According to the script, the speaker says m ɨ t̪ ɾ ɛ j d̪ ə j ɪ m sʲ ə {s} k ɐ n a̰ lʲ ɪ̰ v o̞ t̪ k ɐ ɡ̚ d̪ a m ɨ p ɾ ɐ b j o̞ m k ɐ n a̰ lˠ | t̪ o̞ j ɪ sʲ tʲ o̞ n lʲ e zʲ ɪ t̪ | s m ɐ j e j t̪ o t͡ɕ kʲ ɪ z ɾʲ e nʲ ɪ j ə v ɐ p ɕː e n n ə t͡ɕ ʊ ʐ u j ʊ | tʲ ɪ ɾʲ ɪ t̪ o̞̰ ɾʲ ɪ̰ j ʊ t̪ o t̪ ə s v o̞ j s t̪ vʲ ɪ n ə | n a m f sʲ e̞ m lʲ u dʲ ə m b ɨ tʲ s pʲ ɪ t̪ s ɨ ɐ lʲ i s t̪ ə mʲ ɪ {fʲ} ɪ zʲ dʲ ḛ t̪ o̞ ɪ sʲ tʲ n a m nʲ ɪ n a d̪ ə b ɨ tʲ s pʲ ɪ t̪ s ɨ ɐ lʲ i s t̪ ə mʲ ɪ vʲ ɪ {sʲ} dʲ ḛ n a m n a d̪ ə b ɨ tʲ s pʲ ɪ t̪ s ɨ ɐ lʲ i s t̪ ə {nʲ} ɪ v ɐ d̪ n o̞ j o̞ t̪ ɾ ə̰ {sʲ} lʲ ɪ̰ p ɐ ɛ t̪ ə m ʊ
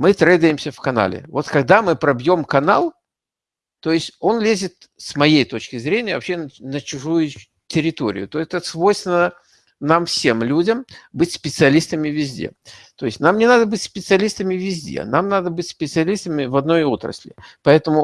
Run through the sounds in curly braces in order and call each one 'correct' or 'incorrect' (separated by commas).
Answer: incorrect, incorrect, incorrect, incorrect, correct